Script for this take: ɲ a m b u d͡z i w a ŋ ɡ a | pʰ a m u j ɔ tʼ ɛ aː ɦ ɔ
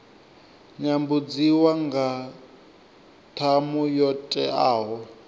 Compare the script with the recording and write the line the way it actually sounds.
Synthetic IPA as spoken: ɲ a m b u d͡z i w a ŋ ɡ a | tʰ a m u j ɔ tʼ ɛ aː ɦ ɔ